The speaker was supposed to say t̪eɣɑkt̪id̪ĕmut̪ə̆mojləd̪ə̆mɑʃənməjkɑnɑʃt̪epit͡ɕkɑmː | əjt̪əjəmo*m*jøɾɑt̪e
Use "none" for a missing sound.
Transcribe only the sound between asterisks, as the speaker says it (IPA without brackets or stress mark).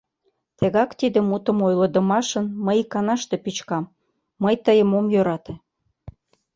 m